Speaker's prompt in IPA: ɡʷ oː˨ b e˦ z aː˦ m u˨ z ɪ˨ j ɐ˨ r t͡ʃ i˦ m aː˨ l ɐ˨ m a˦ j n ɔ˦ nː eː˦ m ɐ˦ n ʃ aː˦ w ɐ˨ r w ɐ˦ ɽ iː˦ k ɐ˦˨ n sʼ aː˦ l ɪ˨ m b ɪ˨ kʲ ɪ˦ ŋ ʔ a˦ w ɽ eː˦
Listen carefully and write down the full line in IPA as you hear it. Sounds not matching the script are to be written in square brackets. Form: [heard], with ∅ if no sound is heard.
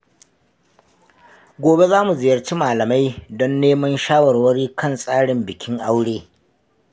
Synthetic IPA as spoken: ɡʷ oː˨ b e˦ z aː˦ m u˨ z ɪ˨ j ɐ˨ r t͡ʃ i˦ m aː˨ l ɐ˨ m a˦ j [d] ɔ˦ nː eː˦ m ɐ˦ n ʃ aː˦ w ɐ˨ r w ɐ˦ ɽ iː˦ k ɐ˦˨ n sʼ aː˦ [ɽ] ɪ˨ m b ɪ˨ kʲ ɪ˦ ŋ ʔ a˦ w ɽ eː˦

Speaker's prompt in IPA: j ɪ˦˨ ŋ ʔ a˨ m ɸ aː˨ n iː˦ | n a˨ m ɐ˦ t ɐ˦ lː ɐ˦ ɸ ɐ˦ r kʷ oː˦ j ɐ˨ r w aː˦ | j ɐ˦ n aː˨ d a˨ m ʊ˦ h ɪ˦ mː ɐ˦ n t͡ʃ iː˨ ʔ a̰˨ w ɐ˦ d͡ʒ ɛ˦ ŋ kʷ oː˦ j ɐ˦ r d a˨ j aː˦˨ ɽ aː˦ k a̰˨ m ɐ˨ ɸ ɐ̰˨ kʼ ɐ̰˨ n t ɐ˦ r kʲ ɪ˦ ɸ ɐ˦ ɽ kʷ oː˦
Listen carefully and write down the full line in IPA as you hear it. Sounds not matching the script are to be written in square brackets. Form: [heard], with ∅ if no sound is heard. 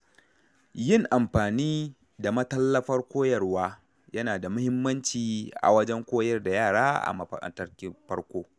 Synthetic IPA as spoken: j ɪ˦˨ ŋ ʔ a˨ m ɸ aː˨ n iː˦ | [d] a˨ m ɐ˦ t ɐ˦ lː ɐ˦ ɸ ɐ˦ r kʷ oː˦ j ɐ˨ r w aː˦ | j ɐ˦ n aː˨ d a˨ m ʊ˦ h ɪ˦ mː ɐ˦ n t͡ʃ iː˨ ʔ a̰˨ w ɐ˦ d͡ʒ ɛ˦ ŋ kʷ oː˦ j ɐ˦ r d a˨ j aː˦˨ ɽ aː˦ [ʔ] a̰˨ m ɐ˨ ɸ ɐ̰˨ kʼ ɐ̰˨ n t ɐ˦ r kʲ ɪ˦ ɸ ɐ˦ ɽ kʷ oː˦

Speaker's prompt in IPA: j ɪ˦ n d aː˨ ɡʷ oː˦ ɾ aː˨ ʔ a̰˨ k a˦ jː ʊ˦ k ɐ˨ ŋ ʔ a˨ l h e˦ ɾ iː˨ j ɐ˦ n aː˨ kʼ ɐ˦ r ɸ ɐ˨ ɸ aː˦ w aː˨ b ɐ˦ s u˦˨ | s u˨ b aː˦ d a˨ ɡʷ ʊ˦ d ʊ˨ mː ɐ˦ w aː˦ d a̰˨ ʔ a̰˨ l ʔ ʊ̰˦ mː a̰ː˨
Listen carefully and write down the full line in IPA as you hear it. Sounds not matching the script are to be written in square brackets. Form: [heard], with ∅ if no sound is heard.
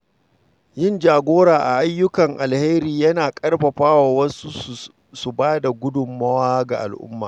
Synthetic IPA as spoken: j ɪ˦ n [d͡ʒ] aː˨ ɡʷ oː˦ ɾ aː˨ ʔ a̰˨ [ʔ] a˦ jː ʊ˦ k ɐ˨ ŋ ʔ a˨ l h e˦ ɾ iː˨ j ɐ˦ n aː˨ kʼ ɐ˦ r ɸ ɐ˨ ɸ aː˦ w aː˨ [w] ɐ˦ s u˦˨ | s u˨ b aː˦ d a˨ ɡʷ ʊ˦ d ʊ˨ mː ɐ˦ w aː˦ [ɡ] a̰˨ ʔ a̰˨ l ʔ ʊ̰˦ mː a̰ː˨

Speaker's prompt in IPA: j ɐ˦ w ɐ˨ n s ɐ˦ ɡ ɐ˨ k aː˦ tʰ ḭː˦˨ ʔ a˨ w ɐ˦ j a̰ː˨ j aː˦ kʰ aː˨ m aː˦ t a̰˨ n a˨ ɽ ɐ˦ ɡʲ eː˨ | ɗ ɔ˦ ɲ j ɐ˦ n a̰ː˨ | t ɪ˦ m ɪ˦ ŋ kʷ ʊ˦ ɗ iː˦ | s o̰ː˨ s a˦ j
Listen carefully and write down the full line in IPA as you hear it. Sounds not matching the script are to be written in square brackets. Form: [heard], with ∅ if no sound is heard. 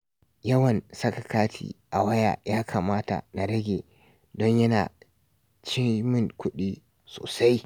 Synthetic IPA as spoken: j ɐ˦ w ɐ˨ n s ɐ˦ [k] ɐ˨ k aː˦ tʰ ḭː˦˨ ʔ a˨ w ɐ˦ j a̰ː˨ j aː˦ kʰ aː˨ m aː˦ t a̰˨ n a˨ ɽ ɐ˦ ɡʲ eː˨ | [d] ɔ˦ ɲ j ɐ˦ n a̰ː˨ | [t͡ʃ] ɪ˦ m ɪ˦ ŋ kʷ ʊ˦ ɗ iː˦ | s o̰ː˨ s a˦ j

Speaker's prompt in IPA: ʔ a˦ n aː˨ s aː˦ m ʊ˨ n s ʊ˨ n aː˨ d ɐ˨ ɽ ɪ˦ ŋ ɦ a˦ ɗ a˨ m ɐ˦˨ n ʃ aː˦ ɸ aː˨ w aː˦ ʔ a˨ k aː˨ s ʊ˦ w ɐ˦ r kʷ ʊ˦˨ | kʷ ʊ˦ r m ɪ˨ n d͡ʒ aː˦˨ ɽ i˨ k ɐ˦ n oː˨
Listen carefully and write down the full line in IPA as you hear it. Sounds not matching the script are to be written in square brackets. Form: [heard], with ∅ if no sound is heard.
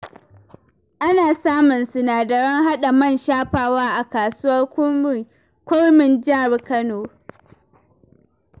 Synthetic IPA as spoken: ʔ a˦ n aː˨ s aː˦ m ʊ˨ n s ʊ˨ n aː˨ d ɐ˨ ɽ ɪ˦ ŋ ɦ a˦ ɗ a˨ m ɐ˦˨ n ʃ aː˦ ɸ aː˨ w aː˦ ʔ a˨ k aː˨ s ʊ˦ w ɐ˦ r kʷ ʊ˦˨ | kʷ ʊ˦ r m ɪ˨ n d͡ʒ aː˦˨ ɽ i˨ k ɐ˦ n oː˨

